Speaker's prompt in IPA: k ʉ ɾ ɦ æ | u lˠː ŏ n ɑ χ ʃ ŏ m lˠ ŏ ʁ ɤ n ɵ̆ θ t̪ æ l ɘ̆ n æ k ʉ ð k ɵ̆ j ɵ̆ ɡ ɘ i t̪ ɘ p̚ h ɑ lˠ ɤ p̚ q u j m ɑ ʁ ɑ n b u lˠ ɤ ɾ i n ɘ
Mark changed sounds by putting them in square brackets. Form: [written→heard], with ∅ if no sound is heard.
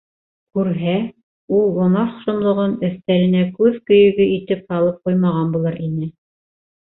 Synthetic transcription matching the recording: k ʉ ɾ ɦ æ | u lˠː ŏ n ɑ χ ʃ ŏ m lˠ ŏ ʁ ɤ n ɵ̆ θ t̪ æ l ɘ̆ n æ k ʉ ð k ɵ̆ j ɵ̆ ɡ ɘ i t̪ ɘ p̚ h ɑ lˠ ɤ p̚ q u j m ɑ ʁ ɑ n b u lˠ ɤ ɾ i n ɘ